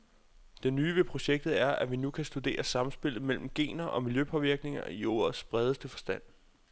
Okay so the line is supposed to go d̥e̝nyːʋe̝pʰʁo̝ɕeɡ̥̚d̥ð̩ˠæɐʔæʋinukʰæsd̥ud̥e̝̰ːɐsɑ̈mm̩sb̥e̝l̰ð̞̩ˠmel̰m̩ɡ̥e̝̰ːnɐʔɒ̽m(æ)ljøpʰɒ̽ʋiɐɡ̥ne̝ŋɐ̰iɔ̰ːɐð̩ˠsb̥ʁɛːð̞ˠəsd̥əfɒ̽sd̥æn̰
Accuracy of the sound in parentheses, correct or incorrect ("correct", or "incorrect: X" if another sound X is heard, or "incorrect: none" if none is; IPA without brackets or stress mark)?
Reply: incorrect: i